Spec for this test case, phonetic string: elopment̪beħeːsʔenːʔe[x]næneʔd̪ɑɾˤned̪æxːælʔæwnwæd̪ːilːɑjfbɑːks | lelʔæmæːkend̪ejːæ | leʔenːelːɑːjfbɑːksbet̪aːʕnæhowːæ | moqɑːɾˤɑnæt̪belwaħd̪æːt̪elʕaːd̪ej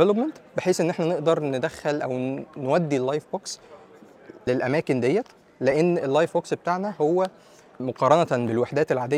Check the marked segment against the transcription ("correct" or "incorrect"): incorrect